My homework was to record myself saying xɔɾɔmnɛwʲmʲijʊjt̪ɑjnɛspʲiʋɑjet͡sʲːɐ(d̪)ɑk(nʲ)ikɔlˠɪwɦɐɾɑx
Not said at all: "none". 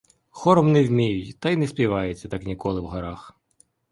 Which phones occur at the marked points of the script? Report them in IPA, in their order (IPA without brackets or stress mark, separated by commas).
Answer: t̪, nʲ